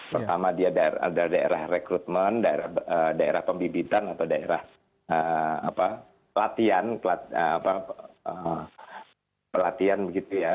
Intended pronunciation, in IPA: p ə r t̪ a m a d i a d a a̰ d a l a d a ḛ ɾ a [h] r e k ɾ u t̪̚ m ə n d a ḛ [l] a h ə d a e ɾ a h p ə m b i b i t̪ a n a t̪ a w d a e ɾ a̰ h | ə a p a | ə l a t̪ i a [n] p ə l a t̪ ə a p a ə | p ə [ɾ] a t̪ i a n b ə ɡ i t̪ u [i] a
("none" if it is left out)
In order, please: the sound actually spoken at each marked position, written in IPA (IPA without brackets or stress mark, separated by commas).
h, ɾ, n, l, j